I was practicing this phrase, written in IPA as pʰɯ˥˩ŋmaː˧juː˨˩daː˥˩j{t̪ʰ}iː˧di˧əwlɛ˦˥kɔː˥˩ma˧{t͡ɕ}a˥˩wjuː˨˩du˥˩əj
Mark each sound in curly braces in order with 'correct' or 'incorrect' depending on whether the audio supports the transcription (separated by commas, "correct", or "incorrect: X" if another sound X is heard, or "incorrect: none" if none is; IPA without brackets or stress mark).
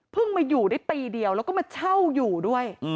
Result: incorrect: t̪, incorrect: t͡ɕʰ